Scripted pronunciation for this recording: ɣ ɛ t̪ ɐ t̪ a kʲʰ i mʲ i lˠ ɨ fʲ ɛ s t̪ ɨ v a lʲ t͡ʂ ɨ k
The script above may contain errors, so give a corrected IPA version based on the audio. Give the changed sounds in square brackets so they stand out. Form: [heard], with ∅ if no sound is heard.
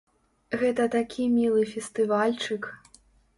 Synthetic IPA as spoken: ɣ ɛ t̪ ɐ t̪ a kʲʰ i mʲ i lˠ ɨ fʲ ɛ s t̪ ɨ v a lʲ t͡ʂ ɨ k

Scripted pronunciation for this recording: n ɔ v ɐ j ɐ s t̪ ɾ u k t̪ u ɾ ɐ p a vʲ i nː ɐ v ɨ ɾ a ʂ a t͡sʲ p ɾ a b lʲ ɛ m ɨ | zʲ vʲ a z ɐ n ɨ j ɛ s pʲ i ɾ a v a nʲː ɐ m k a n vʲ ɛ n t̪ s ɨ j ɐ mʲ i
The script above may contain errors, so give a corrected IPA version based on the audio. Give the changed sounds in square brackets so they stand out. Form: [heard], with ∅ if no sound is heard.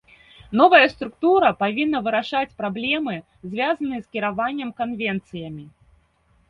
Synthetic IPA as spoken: n ɔ v ɐ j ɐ s t̪ ɾ u k t̪ u ɾ ɐ p a vʲ i nː ɐ v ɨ ɾ a ʂ a t͡sʲ p ɾ a b lʲ ɛ m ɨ | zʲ vʲ a z ɐ n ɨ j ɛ s [kʲ] i ɾ a v a nʲː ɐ m k a n vʲ ɛ n t̪ s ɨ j ɐ mʲ i

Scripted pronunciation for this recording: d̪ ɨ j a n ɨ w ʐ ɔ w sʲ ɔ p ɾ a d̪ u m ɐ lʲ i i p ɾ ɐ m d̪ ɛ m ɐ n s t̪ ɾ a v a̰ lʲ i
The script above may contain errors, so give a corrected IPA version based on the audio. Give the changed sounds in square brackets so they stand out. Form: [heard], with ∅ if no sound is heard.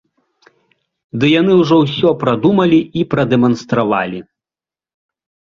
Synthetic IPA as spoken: d̪ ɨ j a n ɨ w ʐ ɔ w sʲ ɔ p ɾ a d̪ u m ɐ lʲ i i p ɾ ɐ [∅] d̪ ɛ m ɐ n s t̪ ɾ a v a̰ lʲ i

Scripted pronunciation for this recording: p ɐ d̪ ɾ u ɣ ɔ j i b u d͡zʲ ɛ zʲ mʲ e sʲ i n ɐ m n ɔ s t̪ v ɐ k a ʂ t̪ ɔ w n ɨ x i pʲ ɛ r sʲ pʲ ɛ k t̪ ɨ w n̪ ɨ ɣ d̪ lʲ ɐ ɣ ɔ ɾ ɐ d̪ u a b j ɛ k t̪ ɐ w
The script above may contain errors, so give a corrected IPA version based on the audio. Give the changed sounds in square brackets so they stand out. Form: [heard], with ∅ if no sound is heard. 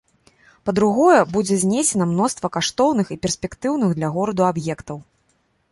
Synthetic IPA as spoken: p ɐ d̪ ɾ u ɣ ɔ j [ɛ] b u d͡zʲ ɛ zʲ [nʲ] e sʲ [ɛ] n ɐ m n ɔ s t̪ v ɐ k a ʂ t̪ ɔ w n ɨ x i pʲ ɛ r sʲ pʲ ɛ k t̪ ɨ w n̪ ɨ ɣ d̪ lʲ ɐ ɣ ɔ ɾ ɐ d̪ u a b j ɛ k t̪ ɐ w

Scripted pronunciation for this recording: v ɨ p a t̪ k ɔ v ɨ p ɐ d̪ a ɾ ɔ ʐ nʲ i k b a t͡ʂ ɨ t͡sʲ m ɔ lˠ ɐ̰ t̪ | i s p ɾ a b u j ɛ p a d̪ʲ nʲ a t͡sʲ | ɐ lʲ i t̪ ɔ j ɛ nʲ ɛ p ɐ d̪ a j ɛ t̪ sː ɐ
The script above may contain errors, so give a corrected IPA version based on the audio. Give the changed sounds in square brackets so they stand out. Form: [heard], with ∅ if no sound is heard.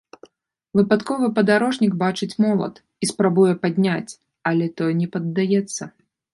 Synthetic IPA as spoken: v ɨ p a t̪ k ɔ v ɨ p ɐ d̪ a ɾ ɔ ʐ nʲ i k b a t͡ʂ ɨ t͡sʲ m ɔ lˠ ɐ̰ t̪ | i s p ɾ a b u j ɛ p a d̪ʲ nʲ a t͡sʲ | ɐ lʲ [ɛ] t̪ ɔ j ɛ nʲ ɛ p ɐ [d̪ː] a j ɛ t̪ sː ɐ

